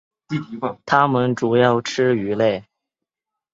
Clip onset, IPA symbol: t̪ʰ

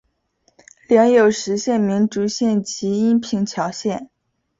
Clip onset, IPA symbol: l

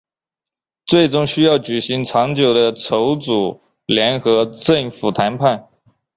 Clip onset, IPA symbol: t͡s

